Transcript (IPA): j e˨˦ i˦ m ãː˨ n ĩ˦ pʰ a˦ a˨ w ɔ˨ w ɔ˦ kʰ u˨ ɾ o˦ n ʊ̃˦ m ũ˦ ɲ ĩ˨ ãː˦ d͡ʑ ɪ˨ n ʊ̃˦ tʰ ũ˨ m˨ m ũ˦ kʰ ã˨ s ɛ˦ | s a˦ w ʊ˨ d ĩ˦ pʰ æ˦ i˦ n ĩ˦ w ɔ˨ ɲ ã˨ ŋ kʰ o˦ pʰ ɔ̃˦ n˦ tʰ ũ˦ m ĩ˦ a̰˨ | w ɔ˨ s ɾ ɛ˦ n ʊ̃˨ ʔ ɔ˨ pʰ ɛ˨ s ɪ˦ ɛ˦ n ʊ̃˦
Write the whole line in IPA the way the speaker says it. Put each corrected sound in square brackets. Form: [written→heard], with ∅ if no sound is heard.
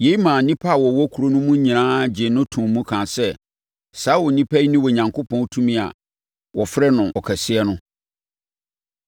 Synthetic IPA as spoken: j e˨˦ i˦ m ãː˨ n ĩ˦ pʰ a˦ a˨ w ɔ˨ w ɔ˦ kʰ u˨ ɾ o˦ n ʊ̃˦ m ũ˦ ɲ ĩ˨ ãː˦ d͡ʑ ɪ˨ n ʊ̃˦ tʰ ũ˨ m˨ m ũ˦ kʰ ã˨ s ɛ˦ | s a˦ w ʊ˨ [d→n] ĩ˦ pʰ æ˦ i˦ n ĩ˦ w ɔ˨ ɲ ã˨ ŋ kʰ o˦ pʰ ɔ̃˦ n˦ tʰ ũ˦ m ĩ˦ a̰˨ | w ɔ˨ [s→f] ɾ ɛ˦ n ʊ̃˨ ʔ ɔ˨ [pʰ→kʰ] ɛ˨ s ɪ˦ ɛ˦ n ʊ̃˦

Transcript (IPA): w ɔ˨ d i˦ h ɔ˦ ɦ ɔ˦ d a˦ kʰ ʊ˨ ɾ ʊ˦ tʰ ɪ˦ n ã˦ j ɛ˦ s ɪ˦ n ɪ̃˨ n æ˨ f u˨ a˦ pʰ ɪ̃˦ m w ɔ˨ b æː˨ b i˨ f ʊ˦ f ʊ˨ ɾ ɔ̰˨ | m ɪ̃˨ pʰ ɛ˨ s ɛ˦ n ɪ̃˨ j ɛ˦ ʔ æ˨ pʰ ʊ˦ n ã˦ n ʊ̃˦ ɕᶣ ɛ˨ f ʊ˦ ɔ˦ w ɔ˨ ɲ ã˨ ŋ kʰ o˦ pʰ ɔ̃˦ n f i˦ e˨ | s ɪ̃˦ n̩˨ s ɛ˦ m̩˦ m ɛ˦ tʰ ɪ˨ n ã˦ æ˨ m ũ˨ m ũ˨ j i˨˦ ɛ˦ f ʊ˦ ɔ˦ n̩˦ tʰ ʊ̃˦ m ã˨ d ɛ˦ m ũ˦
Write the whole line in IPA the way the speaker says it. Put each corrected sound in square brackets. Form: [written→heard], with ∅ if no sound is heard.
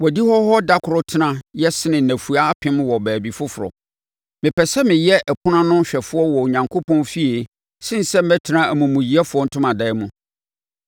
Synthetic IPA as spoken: w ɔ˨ d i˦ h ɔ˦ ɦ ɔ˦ d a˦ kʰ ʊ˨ ɾ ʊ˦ tʰ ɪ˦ n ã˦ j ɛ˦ s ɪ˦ n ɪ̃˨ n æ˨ f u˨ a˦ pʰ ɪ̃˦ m w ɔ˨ b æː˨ b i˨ f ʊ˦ f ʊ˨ ɾ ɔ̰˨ | m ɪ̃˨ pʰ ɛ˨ s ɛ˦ [n→m] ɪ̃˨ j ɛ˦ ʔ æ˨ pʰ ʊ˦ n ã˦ n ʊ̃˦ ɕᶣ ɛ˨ f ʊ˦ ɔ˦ w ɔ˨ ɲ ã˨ ŋ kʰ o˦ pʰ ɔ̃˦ n f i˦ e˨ | s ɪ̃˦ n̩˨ s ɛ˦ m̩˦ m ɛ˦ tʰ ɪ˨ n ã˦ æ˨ m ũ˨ m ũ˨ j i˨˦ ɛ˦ f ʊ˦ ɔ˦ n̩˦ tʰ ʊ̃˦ m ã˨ d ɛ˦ m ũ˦

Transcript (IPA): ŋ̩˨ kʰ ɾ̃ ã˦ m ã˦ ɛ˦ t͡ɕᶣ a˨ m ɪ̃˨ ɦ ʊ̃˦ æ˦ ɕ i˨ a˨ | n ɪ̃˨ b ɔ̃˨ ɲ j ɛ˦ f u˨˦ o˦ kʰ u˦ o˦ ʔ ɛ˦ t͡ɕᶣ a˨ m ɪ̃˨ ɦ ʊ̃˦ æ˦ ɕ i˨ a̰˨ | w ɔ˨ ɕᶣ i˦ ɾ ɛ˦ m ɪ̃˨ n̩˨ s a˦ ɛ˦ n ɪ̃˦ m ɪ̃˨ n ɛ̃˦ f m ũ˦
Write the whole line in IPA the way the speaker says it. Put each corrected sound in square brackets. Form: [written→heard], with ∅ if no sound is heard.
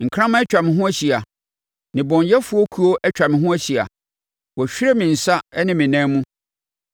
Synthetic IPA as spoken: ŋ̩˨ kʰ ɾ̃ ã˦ m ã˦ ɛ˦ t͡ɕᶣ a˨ m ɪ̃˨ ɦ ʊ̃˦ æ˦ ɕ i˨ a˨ | n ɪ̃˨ b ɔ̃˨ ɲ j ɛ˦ f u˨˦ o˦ kʰ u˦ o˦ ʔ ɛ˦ t͡ɕᶣ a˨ m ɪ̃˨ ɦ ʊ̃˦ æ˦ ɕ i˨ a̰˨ | w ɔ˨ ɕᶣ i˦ ɾ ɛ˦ m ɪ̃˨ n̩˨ s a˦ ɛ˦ n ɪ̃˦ m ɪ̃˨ n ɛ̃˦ [f→∅] m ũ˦

